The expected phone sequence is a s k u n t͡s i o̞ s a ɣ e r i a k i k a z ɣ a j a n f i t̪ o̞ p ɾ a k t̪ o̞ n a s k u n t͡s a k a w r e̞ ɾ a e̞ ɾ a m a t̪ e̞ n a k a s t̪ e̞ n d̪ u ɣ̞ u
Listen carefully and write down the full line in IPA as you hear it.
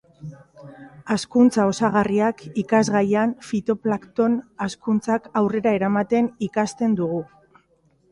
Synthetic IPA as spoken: a s k u n t͡s a o̞ s a ɣ a r i a k i k a z ɣ a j a n f i t̪ o̞ p l a k t̪ o̞ n a s k u n t͡s a k a w r e̞ ɾ a e̞ ɾ a m a t̪ e̞ n i k a s t̪ e̞ n d̪ u ɣ̞ u